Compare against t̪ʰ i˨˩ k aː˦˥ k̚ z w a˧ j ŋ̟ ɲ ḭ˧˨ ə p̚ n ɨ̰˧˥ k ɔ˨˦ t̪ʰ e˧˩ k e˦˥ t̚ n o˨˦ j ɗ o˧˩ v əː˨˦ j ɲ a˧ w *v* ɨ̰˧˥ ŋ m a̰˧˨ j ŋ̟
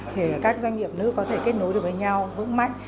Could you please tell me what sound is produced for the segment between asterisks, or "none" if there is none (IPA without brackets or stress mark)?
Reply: v